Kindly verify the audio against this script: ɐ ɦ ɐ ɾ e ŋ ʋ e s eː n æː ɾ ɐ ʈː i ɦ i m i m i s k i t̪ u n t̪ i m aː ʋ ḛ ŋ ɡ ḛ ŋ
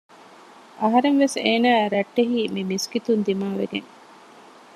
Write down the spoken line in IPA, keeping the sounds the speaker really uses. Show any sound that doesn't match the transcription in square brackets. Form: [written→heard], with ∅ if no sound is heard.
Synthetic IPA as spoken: ɐ ɦ ɐ ɾ e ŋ ʋ e s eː n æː ɾ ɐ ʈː [i→e] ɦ [i→iː] m i m i s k i t̪ u n [t̪→d̪] i m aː ʋ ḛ [ŋ→∅] ɡ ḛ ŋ

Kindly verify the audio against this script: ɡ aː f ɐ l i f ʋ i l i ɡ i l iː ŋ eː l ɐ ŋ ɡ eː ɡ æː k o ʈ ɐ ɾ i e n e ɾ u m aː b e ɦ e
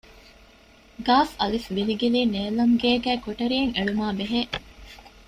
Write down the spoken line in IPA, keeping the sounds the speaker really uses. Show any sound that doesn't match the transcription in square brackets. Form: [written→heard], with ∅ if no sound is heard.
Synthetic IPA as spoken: ɡ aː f ɐ l i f ʋ i l i ɡ i l iː [ŋ→n] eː l ɐ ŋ ɡ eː ɡ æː k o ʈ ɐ ɾ i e [n→ŋ] e [ɾ→ɭ] u m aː b e ɦ e

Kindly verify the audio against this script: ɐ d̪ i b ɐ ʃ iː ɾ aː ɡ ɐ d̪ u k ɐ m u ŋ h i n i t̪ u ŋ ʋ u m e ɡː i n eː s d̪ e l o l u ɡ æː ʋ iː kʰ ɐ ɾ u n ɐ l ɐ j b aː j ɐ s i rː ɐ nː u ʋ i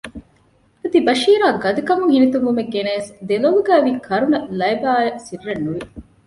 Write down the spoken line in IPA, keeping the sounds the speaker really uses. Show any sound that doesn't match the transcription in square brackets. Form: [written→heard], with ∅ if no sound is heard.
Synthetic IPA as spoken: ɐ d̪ i b ɐ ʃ iː ɾ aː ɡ ɐ d̪ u k ɐ m u ŋ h i n i t̪ u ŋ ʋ u m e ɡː [i→e] n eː s d̪ e l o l u ɡ æː ʋ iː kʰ ɐ ɾ u n ɐ l ɐ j b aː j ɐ s i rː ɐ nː u ʋ i

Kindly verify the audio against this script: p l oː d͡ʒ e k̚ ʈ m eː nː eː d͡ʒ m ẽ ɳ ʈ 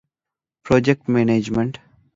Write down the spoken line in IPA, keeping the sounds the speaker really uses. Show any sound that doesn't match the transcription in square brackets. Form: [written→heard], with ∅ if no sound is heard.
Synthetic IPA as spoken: p [l→ɾ] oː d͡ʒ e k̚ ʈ m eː [nː→n] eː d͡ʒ m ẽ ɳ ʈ

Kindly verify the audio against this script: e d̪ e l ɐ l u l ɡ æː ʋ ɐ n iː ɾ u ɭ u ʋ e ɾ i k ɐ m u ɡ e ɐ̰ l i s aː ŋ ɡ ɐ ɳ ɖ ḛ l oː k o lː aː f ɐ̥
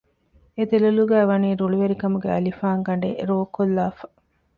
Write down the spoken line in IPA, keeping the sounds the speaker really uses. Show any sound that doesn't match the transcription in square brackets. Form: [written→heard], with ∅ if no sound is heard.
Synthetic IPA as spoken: e d̪ e l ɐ l u [l→∅] ɡ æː ʋ ɐ n iː ɾ u ɭ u ʋ e ɾ i k ɐ m u ɡ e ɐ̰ l i [s→f] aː ŋ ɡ ɐ ɳ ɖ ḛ [l→ɾ] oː k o lː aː f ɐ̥

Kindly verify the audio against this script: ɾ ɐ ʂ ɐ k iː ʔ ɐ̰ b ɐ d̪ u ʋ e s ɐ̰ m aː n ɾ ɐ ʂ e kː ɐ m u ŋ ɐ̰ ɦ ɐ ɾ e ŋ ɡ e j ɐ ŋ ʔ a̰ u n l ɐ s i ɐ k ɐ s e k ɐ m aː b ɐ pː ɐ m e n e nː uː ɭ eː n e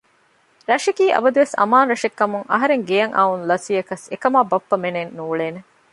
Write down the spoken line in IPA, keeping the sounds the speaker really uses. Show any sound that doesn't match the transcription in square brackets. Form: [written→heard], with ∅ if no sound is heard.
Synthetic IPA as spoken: ɾ ɐ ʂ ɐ k iː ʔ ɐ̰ b ɐ d̪ u ʋ e s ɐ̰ m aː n ɾ ɐ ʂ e kː ɐ m u ŋ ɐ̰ ɦ ɐ ɾ e ŋ ɡ e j ɐ ŋ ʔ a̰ u n l ɐ s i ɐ k ɐ s e k ɐ m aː b ɐ pː ɐ m e n e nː uː ɭ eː n e

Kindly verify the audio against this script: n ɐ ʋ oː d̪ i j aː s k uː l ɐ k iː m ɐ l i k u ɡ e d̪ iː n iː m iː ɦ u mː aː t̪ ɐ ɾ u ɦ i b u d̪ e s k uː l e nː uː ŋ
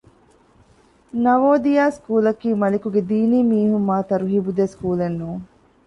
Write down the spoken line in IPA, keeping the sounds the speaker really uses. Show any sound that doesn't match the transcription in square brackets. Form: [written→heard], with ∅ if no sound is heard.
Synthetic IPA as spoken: n ɐ ʋ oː d̪ i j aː s k uː l ɐ k iː m ɐ l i k u ɡ e d̪ iː n iː m iː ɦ u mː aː t̪ ɐ ɾ u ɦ i b u d̪ e s k uː l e nː uː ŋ

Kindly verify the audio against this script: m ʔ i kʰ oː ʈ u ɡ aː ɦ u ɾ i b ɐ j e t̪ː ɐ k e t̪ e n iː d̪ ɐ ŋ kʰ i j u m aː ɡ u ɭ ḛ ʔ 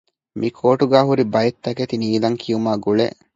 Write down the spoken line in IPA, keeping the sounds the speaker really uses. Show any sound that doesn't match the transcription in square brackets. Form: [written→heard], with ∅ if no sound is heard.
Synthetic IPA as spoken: m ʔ i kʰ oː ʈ u ɡ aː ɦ u ɾ i b ɐ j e t̪ː ɐ k e t̪ [e→i] n iː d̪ ɐ ŋ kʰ i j u m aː ɡ u ɭ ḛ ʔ

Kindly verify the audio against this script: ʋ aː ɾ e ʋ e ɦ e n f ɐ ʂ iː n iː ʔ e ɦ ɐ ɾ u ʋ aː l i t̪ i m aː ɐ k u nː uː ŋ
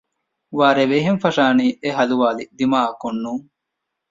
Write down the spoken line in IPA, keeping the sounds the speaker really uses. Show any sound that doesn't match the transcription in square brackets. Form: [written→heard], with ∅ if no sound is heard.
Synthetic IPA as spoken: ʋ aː ɾ e ʋ e ɦ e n f ɐ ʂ [iː→aː] n iː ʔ e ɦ ɐ [ɾ→l] u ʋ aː l i [t̪→d̪] i m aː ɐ k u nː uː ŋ

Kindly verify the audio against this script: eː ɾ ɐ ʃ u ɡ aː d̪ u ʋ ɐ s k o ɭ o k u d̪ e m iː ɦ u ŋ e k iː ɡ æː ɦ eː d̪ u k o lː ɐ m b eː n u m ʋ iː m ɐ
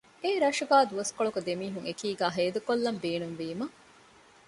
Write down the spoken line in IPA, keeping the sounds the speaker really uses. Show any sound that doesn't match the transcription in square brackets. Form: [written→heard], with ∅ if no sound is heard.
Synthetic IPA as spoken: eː ɾ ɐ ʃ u ɡ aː d̪ u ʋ ɐ s k o ɭ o k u d̪ e m iː ɦ u ŋ e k iː ɡ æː ɦ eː d̪ u k o lː ɐ m b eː n u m ʋ iː m ɐ

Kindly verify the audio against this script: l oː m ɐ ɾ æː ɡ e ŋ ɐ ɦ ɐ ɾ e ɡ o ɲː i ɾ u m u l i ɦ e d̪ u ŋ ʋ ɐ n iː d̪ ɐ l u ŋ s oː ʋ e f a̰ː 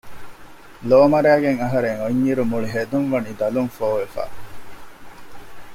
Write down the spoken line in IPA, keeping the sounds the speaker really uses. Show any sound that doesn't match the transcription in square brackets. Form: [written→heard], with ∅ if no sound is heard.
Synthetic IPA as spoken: l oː m ɐ ɾ æː ɡ e ŋ ɐ ɦ ɐ ɾ e [ɡ→ŋ] o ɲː i ɾ u m u [l→ɭ] i ɦ e d̪ u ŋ ʋ ɐ n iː d̪ ɐ l u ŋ [s→f] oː ʋ e f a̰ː

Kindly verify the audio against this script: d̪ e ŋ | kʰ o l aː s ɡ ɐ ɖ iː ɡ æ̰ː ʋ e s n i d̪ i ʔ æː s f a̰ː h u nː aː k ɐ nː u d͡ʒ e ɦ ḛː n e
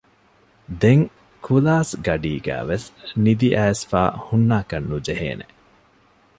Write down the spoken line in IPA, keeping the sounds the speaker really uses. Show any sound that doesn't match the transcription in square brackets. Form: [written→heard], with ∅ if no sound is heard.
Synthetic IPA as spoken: d̪ e ŋ | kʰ [o→u] l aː s ɡ ɐ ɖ iː ɡ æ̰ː ʋ e s n i d̪ i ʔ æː s f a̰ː h u nː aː k ɐ nː u d͡ʒ e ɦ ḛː n e

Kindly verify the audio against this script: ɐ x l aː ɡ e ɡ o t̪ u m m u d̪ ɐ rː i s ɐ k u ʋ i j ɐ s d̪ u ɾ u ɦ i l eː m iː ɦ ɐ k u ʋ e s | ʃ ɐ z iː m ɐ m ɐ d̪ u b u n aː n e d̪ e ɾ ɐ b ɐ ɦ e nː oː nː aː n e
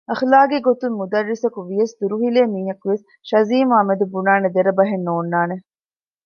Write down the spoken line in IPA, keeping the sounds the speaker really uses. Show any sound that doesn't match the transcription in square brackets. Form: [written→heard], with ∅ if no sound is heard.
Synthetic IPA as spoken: ɐ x l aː ɡ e ɡ o t̪ u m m u d̪ ɐ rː i s ɐ k u ʋ i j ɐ s d̪ u ɾ u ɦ i l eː m iː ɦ ɐ k u ʋ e s | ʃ ɐ z iː m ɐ m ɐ d̪ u b u n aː n e d̪ e ɾ ɐ b ɐ ɦ e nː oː nː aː n e

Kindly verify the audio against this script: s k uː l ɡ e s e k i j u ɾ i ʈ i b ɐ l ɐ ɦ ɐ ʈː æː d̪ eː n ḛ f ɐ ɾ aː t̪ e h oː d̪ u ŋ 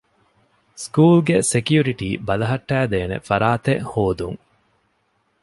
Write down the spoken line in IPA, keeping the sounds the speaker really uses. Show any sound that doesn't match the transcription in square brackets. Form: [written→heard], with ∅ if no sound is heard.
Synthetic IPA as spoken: s k uː l ɡ e s e k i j u ɾ i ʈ [i→iː] b ɐ l ɐ ɦ ɐ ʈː æː d̪ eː n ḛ f ɐ ɾ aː t̪ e h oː d̪ u ŋ

